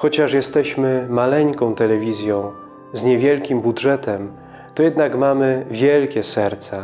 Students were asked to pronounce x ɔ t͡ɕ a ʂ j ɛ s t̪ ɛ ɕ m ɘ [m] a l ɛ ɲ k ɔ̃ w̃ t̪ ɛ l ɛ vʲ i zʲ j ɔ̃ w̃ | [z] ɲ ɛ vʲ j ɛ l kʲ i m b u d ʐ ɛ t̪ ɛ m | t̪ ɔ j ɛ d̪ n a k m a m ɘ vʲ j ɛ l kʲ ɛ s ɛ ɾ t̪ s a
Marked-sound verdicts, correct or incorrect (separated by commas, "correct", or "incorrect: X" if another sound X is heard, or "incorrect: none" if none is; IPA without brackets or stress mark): correct, correct